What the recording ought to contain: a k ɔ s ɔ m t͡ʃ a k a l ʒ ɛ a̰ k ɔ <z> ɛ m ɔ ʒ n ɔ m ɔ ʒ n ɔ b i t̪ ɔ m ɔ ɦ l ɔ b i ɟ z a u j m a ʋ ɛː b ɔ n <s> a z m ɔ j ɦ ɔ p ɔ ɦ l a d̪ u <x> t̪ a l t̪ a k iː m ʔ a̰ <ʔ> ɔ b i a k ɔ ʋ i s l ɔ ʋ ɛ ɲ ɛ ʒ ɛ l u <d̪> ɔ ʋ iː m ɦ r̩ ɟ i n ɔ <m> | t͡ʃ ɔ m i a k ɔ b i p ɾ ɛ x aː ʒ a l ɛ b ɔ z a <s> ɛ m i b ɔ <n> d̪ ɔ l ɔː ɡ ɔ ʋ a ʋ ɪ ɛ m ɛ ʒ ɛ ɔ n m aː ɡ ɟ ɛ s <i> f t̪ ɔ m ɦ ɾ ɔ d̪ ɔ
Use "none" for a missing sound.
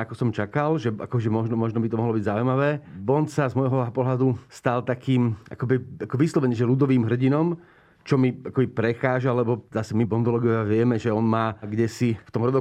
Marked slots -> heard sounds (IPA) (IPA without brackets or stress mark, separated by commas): ʒ, s, s, k, d̪, m, s, n, i